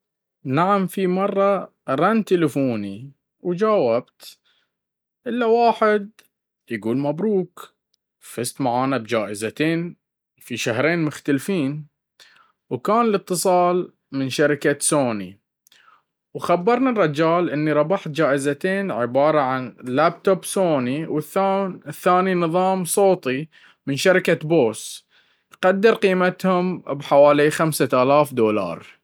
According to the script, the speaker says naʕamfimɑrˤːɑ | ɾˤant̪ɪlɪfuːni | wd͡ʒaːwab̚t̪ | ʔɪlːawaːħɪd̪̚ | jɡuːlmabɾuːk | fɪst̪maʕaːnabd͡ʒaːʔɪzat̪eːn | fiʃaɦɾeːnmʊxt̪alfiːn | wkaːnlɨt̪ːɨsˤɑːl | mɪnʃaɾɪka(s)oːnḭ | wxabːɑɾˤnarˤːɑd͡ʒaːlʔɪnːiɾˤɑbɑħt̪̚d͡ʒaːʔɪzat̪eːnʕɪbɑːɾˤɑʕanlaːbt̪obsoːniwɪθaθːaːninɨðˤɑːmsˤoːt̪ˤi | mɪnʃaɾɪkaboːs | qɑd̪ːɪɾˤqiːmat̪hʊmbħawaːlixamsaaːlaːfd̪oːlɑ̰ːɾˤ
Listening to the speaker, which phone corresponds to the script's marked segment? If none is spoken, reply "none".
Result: s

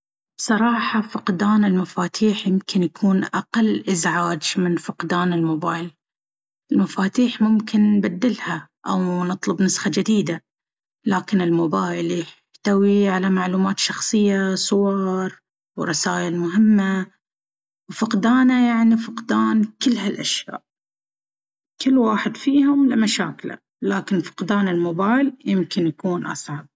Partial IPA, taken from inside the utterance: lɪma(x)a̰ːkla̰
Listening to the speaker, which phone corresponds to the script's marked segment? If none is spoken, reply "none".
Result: ʃ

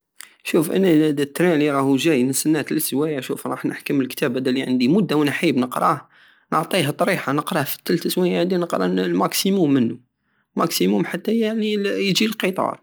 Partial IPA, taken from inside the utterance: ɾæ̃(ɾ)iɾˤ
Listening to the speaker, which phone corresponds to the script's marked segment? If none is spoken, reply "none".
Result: l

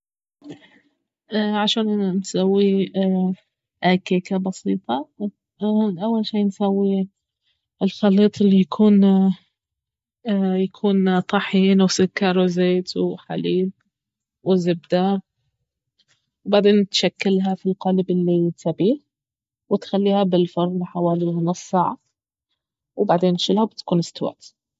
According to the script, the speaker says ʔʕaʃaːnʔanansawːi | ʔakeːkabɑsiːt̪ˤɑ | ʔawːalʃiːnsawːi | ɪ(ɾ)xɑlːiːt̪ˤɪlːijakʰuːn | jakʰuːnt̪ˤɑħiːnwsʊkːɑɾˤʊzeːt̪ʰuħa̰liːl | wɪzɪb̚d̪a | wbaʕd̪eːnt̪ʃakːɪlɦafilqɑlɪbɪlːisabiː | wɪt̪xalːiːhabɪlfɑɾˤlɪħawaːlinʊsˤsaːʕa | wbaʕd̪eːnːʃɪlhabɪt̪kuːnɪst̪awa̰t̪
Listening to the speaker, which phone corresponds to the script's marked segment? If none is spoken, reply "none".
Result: l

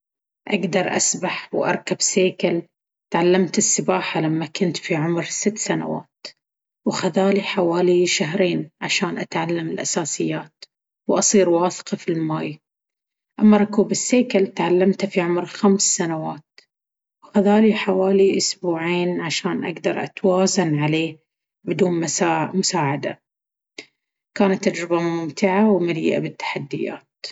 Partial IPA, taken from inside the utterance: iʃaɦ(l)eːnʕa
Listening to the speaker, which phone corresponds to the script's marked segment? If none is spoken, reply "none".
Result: ɾ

